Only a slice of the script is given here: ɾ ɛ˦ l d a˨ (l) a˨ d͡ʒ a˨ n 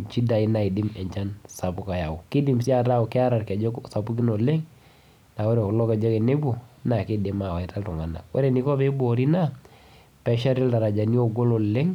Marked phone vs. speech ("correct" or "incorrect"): incorrect